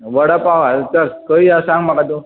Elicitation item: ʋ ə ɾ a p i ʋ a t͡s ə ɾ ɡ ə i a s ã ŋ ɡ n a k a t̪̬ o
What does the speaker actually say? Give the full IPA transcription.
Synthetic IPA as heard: ʋ ə ɽ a p a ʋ a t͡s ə ɾ k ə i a s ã ŋ ɡ m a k a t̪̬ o